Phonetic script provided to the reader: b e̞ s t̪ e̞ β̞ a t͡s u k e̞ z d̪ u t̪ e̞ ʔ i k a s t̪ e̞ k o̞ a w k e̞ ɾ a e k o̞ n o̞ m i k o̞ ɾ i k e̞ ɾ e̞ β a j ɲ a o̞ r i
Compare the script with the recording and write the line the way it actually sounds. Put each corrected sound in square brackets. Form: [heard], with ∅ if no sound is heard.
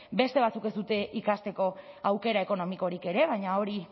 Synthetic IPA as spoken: b e̞ s t̪ e̞ β̞ a t͡s u k e̞ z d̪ u t̪ e̞ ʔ i k a s t̪ e̞ k o̞ a w k e̞ ɾ a e k o̞ n o̞ m i k o̞ ɾ i k e̞ ɾ e̞ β a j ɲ a o̞ [ɾ] i